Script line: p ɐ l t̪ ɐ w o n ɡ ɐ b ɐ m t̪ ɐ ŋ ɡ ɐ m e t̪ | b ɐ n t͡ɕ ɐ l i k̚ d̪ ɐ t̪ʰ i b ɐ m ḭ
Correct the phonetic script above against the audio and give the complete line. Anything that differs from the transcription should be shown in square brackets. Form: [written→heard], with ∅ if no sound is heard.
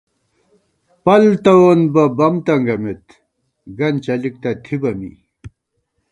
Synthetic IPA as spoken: p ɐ l t̪ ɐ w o n [ɡ→b] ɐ b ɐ m t̪ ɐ ŋ ɡ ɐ m e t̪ | [b→ɡ] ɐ n t͡ɕ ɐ l i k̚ [d̪→t̪] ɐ t̪ʰ i b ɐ m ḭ

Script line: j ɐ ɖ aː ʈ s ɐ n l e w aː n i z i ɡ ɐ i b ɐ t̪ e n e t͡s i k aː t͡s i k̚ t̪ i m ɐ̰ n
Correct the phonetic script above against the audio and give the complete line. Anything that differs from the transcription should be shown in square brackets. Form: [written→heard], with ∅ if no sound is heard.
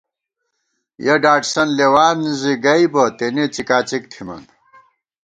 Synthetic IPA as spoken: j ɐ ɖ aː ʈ s ɐ n l e w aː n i z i ɡ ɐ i b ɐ t̪ e n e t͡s i k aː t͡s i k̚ [t̪→t̪ʰ] i m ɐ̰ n

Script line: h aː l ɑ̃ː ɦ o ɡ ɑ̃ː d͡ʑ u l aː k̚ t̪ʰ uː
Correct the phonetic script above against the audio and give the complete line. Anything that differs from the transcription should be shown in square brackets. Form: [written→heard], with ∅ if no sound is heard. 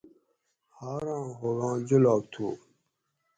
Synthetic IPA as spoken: h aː [l→ɾ] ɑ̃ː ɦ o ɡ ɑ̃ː d͡ʑ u l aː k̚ t̪ʰ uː

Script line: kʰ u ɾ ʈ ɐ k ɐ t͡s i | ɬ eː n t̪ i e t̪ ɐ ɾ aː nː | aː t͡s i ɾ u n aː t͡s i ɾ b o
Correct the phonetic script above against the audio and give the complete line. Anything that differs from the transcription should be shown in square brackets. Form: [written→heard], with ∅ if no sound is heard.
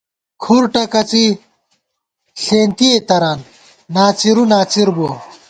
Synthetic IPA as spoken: kʰ u ɾ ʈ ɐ k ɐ t͡s i | ɬ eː n t̪ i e t̪ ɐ ɾ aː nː | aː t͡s i ɾ u n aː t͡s i ɾ b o

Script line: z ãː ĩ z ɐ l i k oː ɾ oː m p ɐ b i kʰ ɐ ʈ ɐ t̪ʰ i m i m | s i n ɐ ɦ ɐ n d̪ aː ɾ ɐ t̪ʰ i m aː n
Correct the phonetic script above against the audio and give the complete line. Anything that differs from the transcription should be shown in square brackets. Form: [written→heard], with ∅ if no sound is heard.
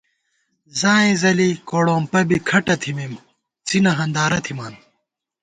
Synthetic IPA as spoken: z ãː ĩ z ɐ l i k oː [ɾ→ɽ] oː m p ɐ b i kʰ ɐ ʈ ɐ t̪ʰ i m i m | [s→t͡s] i n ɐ ɦ ɐ n d̪ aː ɾ ɐ t̪ʰ i m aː n

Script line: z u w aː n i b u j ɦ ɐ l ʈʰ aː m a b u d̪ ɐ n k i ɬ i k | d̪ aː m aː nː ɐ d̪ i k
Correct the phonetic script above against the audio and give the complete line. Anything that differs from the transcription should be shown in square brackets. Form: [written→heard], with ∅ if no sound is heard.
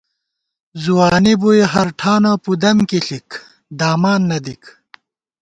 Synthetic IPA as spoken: z u w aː n i b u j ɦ ɐ [l→ɾ] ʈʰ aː [m→n] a [b→p] u d̪ ɐ [n→m] k i ɬ i k | d̪ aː m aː nː ɐ d̪ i k

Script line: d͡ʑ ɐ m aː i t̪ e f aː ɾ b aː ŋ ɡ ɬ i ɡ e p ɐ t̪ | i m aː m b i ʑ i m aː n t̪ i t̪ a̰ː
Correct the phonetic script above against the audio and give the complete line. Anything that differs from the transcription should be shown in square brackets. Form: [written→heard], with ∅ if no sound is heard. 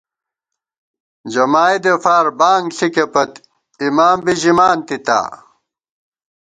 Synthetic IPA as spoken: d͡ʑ ɐ m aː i [t̪→d̪] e f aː ɾ b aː ŋ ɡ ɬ i [ɡ→k] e p ɐ t̪ | i m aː m b i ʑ i m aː n t̪ i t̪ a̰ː

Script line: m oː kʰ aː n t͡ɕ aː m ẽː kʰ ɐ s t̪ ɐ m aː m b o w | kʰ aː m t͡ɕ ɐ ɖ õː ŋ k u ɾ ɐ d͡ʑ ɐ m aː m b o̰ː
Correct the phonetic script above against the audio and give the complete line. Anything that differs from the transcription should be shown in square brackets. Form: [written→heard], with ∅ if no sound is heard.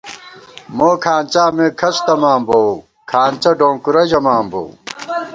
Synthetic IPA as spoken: m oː kʰ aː n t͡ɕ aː m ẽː kʰ ɐ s t̪ ɐ m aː m b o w | kʰ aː [m→n] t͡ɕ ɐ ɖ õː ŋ k u ɾ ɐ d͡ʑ ɐ m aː m b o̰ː

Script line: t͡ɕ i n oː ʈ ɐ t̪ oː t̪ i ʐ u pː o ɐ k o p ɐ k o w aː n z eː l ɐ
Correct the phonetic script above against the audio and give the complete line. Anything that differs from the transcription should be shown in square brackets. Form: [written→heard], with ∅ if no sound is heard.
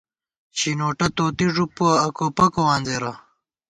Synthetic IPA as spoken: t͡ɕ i n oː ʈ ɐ t̪ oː t̪ i ʐ u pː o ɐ k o p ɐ k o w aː n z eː [l→ɾ] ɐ

